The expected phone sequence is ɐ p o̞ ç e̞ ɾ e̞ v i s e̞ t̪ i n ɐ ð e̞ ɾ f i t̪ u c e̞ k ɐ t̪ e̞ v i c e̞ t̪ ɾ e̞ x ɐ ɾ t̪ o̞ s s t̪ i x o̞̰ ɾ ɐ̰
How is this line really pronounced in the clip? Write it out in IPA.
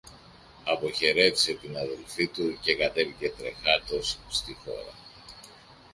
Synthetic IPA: ɐ p o̞ ç e̞ ɾ e̞ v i s e̞ t̪ i n ɐ ð e̞ l f i t̪ u c e̞ k ɐ t̪ e̞ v i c e̞ t̪ ɾ e̞ x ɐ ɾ t̪ o̞ s s t̪ i x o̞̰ ɾ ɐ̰